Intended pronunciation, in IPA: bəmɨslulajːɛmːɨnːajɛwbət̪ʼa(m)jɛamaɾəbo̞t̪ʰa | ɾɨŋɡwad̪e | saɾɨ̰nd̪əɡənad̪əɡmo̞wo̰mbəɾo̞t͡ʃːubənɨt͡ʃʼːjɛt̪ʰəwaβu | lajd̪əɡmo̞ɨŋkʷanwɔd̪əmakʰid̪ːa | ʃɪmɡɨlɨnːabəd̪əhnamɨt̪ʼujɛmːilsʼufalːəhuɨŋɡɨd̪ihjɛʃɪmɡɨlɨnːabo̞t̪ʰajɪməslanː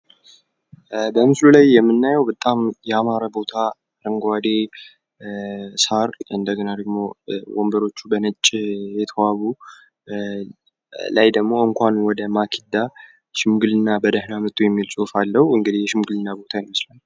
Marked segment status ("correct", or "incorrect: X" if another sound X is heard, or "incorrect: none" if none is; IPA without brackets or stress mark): correct